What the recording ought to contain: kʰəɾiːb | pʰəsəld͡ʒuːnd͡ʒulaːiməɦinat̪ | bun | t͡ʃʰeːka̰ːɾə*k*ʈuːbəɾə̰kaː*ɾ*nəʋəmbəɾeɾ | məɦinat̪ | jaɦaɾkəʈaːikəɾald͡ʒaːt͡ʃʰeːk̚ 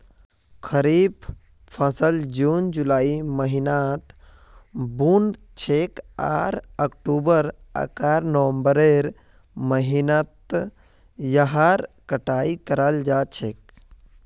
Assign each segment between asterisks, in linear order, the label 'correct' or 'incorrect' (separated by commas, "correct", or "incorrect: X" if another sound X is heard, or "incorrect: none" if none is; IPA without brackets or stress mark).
correct, correct